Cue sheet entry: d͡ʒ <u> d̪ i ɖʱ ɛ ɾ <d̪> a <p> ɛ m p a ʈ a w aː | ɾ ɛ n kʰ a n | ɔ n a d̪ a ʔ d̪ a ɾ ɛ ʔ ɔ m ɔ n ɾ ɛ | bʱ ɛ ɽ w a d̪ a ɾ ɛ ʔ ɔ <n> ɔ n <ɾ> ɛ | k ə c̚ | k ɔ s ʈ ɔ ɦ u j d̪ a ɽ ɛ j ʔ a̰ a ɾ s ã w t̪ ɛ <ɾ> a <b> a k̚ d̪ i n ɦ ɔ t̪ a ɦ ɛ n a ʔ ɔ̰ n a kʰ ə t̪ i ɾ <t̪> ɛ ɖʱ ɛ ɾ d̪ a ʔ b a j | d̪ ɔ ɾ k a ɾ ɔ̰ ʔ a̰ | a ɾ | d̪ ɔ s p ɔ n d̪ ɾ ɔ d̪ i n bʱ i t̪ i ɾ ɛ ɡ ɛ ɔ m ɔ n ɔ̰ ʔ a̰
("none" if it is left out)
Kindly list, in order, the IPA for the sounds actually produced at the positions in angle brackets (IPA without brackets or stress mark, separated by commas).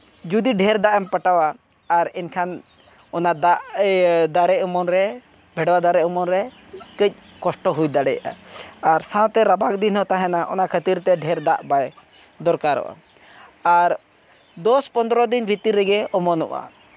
u, d̪, ʔ, m, ɾ, ɾ, b, t̪